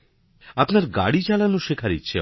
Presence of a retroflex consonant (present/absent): present